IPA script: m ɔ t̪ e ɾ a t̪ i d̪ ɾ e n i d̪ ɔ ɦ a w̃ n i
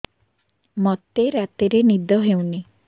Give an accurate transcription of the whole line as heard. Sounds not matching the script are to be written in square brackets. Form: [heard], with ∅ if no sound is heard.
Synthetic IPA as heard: m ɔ t̪ e ɾ a t̪ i [∅] ɾ e n i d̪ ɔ ɦ [e] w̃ n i

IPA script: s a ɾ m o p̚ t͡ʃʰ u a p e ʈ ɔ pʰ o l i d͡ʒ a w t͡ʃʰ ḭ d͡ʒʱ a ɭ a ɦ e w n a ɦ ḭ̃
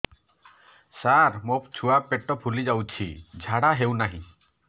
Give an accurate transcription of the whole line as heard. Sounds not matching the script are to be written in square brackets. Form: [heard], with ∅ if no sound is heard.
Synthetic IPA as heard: s a ɾ m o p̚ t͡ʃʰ u a p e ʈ ɔ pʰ [u] l i d͡ʒ a w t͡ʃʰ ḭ d͡ʒʱ a [ɽ] a ɦ e w n a ɦ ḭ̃

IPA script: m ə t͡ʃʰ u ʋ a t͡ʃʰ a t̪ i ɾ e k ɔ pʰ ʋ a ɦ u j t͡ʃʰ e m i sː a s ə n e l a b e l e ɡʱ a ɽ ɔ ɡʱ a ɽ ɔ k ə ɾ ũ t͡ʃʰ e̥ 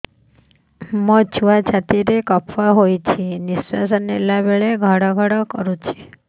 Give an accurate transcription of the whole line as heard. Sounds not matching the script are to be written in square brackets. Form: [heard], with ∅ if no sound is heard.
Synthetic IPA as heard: m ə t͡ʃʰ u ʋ a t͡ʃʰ a t̪ i ɾ e k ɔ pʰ ʋ a ɦ [o] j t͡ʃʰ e [n] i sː a s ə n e l a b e [ɭ] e ɡʱ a ɽ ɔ ɡʱ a ɽ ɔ k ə ɾ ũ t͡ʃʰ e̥

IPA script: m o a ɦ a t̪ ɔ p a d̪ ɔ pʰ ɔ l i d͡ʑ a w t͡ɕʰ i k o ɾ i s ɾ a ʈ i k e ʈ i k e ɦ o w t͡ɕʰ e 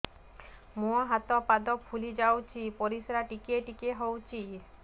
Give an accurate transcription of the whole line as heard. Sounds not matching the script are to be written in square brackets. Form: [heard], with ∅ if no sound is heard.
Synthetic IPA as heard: m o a ɦ a t̪ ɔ p a d̪ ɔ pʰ [u] l i d͡ʑ a w t͡ɕʰ i [p] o ɾ i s ɾ a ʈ i k e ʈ i k e ɦ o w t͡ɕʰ [i]

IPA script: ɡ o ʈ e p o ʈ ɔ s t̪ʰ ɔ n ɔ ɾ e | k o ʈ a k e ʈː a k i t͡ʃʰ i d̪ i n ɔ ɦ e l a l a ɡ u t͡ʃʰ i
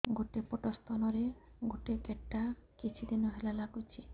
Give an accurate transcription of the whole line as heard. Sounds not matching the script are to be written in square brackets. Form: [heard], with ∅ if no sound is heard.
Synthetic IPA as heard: ɡ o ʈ e p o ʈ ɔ s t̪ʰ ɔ n ɔ ɾ e | [ɡ] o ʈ [e] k e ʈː a k i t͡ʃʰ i d̪ i n ɔ ɦ e l a l a ɡ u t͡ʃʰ i

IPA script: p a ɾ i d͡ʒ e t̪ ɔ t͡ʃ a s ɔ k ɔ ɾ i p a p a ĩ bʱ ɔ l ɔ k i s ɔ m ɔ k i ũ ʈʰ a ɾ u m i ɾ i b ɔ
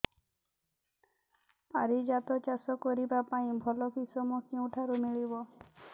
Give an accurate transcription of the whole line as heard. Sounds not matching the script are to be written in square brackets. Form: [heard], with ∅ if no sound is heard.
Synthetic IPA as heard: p a ɾ i d͡ʒ [a] t̪ ɔ t͡ʃ a s ɔ k ɔ ɾ i [b] a p a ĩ bʱ ɔ l ɔ k i s ɔ m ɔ k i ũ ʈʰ a ɾ u m i [ɭ] i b ɔ

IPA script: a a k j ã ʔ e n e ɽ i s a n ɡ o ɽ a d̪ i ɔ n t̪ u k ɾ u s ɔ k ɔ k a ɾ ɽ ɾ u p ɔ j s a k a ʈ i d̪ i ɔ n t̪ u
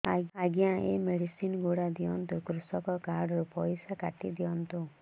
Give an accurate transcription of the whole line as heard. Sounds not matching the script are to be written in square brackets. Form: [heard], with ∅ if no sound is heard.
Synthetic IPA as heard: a a [ɡ] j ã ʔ e [m] e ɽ i s [i] n ɡ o ɽ a d̪ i ɔ n t̪ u k ɾ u s ɔ k ɔ k a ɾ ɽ ɾ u p ɔ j s a k a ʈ i d̪ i ɔ n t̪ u

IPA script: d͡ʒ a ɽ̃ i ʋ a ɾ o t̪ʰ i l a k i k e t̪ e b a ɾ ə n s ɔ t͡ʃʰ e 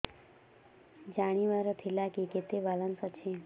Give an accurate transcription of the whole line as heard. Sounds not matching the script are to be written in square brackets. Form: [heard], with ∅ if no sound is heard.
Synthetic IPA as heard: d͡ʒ a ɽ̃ i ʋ a ɾ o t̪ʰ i l a k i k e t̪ e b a [l] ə n s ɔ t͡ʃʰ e

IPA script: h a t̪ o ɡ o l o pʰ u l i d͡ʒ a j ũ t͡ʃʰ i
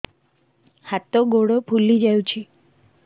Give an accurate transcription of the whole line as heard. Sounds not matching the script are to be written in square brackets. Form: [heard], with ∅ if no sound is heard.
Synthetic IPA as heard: h a t̪ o ɡ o [ɽ] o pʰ u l i d͡ʒ a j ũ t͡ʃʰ i

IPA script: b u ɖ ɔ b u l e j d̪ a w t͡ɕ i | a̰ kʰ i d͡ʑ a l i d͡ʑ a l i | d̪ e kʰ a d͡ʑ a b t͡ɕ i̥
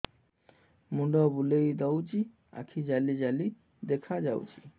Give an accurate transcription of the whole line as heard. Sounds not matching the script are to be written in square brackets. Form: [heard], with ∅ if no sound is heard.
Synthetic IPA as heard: [m] u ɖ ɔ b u l e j d̪ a w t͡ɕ i | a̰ kʰ i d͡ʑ a l i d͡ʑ a l i | d̪ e kʰ a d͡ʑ a [w] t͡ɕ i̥

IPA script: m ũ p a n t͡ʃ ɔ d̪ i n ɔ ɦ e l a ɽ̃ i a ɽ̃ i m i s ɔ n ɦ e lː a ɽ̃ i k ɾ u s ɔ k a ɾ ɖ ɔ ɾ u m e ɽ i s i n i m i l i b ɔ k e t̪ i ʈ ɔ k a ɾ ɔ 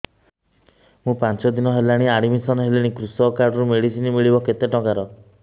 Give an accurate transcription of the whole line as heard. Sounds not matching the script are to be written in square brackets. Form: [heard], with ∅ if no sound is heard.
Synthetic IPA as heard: m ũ p a n t͡ʃ ɔ d̪ i n ɔ ɦ e l a ɽ̃ i a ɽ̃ i m i s ɔ n ɦ e [l] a ɽ̃ i k ɾ u s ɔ k a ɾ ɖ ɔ ɾ u m e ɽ i s i n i m i [ɭ] i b ɔ k e t̪ [e] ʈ ɔ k a ɾ ɔ

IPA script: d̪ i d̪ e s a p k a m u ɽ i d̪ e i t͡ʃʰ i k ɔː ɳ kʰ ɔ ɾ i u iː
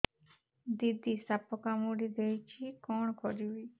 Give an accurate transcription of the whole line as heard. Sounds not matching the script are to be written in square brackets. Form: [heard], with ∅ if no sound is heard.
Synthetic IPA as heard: d̪ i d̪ [i] s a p k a m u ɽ i d̪ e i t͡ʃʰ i k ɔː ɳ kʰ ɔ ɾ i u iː

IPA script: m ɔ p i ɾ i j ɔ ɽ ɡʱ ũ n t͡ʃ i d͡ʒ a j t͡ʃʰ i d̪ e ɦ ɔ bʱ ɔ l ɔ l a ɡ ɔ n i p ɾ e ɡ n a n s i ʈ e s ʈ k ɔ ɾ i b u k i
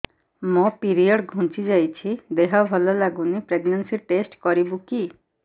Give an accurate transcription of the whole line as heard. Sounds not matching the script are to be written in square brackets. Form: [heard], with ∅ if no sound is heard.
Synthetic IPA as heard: m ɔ p i ɾ i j ɔ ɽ ɡʱ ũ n t͡ʃ i d͡ʒ a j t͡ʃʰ i d̪ e ɦ ɔ bʱ ɔ l ɔ l a ɡ [u] n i p ɾ e ɡ n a n s i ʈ e s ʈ k ɔ ɾ i b u k i

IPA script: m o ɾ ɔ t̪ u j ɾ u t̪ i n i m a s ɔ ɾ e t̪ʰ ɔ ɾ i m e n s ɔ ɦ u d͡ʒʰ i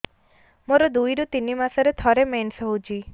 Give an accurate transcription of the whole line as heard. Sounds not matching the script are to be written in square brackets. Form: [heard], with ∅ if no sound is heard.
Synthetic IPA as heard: m o ɾ ɔ [d̪] u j ɾ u t̪ i n i m a s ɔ ɾ e t̪ʰ ɔ ɾ [e] m e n s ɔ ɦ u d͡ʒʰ i

